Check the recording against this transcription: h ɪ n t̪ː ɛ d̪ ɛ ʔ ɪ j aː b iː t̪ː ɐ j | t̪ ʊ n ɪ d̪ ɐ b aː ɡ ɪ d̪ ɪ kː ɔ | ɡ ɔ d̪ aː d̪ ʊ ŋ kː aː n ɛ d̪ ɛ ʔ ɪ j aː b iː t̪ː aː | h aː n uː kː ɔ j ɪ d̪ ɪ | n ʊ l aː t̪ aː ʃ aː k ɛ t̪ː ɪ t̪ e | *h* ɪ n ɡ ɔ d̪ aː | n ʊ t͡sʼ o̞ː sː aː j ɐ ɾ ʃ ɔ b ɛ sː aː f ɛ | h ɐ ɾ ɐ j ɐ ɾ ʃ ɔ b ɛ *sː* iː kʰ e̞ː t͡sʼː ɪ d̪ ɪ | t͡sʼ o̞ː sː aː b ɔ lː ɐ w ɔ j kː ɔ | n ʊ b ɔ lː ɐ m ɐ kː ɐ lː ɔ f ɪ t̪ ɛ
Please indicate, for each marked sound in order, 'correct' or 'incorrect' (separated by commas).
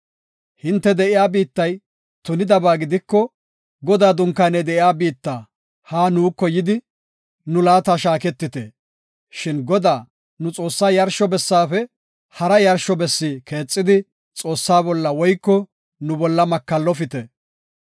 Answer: incorrect, correct